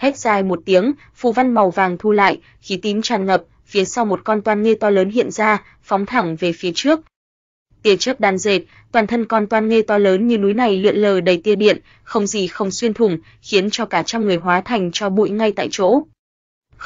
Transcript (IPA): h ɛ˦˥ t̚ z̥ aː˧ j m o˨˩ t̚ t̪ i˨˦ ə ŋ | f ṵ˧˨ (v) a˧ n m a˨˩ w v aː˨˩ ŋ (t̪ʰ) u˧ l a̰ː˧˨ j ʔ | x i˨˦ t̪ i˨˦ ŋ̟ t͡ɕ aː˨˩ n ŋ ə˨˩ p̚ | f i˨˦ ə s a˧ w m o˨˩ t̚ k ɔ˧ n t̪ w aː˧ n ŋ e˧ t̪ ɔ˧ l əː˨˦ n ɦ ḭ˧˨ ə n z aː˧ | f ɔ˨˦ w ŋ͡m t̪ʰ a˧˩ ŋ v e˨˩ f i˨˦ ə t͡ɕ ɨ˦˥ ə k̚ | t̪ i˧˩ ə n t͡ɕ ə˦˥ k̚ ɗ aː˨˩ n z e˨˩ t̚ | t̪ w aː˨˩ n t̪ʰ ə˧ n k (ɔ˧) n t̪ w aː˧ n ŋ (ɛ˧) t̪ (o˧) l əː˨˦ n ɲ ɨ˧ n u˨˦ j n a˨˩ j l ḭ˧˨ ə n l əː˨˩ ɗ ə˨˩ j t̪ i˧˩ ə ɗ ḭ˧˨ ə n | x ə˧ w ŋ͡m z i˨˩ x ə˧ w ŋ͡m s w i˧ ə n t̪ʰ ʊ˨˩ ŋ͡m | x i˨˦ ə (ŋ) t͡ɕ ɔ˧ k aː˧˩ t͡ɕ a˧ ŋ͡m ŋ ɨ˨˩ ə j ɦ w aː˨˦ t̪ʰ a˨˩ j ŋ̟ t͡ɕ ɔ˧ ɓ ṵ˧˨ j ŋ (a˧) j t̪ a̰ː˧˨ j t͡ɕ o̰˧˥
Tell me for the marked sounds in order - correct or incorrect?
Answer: correct, correct, correct, incorrect, incorrect, incorrect, correct

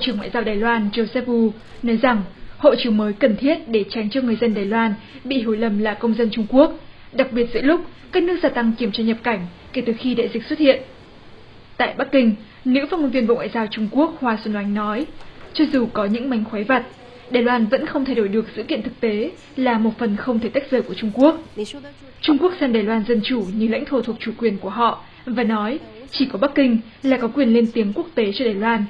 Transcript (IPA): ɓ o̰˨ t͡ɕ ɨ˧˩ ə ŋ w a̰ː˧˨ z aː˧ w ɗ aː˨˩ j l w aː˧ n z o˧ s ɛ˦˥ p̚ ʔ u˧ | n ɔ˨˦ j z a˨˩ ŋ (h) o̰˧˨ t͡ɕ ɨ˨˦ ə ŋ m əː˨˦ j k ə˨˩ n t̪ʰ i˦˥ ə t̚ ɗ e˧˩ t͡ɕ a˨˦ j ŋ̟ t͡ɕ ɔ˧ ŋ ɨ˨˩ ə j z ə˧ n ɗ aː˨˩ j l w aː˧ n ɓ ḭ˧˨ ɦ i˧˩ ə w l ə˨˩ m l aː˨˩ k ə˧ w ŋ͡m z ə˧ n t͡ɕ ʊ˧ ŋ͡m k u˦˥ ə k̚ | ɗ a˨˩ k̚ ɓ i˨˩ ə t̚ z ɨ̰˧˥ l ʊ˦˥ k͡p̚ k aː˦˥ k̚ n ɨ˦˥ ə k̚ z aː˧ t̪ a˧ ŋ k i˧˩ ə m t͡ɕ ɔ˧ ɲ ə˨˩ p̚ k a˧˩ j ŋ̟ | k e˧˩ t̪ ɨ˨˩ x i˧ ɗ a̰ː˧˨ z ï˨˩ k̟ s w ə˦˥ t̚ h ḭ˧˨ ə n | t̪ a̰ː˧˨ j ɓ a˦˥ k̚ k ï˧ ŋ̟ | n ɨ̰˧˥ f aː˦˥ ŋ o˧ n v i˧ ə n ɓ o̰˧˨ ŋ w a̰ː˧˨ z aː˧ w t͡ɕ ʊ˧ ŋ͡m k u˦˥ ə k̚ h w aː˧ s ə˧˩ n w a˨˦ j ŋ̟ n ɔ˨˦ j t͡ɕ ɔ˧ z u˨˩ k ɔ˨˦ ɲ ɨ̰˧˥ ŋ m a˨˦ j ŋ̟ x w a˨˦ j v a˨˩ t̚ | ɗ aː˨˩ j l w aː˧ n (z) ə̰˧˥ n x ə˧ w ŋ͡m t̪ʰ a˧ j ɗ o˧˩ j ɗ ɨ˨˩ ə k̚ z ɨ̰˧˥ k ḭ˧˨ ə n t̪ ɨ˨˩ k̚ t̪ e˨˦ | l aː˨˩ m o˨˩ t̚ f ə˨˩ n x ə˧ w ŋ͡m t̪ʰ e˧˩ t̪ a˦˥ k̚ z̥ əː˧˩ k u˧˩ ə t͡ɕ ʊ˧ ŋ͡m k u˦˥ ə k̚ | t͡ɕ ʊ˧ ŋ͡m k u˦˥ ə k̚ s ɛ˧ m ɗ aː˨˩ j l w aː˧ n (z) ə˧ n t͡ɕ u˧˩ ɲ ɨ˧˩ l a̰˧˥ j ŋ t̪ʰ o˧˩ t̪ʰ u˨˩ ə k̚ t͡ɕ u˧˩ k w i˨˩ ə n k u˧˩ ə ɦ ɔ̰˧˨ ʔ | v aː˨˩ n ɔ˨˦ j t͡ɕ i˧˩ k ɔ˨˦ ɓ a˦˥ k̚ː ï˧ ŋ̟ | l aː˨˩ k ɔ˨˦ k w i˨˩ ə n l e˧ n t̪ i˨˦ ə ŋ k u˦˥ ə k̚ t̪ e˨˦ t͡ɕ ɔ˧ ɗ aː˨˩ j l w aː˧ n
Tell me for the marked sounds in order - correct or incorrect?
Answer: correct, incorrect, correct

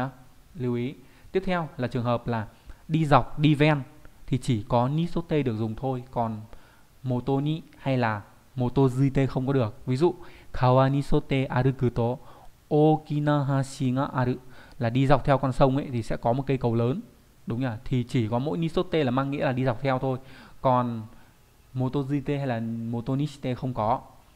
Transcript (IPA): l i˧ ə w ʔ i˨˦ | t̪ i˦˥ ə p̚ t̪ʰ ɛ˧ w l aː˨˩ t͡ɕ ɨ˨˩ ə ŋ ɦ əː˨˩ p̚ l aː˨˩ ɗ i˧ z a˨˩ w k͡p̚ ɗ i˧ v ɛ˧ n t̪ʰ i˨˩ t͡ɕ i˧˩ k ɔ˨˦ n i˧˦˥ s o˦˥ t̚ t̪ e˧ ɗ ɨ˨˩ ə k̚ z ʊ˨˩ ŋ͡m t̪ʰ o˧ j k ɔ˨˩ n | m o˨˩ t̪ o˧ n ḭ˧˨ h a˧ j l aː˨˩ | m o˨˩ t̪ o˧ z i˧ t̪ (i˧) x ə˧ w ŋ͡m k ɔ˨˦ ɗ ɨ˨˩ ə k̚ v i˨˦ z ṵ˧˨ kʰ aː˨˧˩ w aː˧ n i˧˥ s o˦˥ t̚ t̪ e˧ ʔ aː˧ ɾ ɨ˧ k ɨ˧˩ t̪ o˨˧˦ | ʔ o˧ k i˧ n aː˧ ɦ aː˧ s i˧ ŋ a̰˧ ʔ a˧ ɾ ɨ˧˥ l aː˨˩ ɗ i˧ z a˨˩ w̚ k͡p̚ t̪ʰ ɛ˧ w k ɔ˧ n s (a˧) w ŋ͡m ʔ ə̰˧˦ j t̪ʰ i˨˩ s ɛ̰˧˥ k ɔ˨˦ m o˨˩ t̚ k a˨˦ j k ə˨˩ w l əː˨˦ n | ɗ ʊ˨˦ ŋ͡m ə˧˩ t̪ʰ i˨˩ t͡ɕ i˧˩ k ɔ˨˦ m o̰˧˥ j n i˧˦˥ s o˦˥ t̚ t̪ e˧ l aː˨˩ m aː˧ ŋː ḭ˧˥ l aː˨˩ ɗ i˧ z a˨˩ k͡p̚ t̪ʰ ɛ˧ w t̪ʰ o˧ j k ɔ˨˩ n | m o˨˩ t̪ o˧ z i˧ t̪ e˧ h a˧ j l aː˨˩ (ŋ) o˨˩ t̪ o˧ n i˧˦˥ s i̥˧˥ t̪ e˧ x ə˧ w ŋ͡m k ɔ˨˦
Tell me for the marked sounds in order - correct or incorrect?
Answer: incorrect, incorrect, incorrect

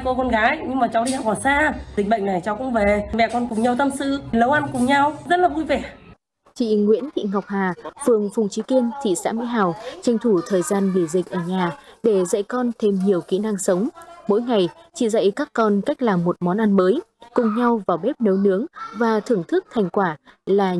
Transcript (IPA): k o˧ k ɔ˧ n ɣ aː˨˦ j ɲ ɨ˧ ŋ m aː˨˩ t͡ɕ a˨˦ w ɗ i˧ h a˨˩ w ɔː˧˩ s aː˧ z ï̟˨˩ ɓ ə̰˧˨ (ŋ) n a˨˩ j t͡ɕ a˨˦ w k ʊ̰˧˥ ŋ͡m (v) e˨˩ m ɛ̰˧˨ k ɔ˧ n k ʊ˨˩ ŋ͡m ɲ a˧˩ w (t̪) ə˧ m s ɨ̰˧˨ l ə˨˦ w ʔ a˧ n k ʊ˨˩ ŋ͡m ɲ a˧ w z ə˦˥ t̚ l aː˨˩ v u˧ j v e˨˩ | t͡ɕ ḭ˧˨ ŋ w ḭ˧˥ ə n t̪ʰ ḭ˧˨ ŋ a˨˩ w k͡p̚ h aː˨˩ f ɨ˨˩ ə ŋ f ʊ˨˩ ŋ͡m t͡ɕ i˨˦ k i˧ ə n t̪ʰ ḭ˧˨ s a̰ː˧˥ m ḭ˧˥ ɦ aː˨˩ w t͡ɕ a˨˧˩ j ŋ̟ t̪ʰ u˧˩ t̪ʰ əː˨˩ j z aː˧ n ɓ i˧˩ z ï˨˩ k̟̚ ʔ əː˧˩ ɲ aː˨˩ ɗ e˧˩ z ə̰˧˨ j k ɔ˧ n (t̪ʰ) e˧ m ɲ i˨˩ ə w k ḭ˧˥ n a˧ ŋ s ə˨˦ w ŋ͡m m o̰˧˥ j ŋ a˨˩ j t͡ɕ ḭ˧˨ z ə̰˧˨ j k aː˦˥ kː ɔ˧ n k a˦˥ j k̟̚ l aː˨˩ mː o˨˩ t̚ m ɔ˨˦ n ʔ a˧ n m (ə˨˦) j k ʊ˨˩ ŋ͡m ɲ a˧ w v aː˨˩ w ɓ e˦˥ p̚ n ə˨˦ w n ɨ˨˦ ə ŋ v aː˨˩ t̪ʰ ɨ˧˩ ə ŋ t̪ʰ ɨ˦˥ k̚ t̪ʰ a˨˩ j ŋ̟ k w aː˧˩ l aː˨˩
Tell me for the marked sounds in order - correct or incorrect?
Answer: correct, correct, correct, correct, incorrect

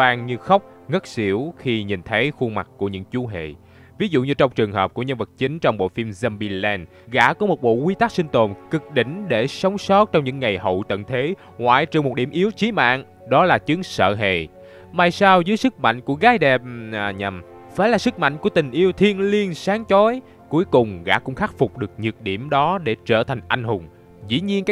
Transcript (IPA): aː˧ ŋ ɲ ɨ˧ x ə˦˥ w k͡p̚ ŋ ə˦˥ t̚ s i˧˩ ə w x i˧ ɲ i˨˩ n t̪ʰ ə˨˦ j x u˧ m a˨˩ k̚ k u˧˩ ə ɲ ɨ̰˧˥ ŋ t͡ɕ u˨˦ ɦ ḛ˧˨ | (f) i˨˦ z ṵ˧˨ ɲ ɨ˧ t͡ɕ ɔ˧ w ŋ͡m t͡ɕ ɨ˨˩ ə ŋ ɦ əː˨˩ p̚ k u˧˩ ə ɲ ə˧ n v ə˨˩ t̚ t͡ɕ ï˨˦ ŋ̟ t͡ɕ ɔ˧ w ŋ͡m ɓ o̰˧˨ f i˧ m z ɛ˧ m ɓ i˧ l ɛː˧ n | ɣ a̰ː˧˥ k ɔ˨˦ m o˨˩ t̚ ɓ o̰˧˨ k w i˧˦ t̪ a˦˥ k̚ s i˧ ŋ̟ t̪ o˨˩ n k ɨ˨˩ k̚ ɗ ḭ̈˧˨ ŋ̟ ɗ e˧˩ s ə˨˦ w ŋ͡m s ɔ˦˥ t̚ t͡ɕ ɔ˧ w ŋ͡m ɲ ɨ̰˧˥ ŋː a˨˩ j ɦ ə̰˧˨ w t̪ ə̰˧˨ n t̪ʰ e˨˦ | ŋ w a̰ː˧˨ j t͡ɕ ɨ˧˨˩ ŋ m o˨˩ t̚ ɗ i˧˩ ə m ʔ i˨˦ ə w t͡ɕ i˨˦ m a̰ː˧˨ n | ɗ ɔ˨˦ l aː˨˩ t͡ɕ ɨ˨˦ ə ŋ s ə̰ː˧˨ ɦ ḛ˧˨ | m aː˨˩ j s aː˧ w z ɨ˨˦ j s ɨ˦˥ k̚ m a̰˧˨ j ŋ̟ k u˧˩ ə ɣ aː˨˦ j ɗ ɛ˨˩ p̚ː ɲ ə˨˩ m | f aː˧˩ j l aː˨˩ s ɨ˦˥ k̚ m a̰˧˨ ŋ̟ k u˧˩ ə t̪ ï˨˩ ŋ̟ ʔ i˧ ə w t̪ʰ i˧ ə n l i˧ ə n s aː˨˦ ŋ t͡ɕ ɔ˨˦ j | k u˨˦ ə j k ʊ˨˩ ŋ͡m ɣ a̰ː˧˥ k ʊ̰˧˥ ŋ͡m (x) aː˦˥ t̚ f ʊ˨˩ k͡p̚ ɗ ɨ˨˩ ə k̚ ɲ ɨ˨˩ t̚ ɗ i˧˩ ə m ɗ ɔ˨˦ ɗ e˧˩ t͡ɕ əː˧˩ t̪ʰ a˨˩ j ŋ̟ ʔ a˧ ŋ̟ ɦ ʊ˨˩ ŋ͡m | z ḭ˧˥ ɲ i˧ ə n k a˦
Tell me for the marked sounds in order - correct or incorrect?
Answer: incorrect, correct

